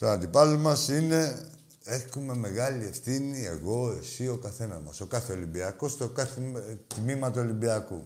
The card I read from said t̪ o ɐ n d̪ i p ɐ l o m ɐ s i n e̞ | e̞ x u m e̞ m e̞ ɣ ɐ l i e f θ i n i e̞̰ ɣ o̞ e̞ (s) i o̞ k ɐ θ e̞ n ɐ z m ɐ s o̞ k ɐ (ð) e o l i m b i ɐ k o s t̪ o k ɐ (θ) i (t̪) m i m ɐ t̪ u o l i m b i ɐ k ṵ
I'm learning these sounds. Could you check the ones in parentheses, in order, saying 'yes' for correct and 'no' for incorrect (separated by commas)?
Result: yes, no, yes, yes